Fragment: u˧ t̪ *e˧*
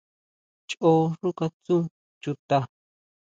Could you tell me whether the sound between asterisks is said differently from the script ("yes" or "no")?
yes